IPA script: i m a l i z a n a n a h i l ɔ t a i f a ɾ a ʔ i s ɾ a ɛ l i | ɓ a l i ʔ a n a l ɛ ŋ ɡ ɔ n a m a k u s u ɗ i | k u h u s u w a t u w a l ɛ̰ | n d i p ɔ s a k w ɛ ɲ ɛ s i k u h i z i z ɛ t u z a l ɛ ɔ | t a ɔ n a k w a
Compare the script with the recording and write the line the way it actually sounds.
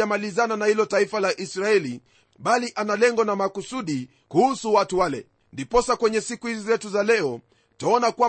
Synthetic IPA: a m a l i z a n a n a h i l ɔ t a i f a l a ʔ i s ɾ a ɛ l i | ɓ a l i ʔ a n a l ɛ ŋ ɡ ɔ n a m a k u s u ɗ i | k u h u s u w a t u w a l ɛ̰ | n d i p ɔ s a k w ɛ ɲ ɛ s i k u h i z i z ɛ t u z a l ɛ ɔ | t a ɔ n a k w a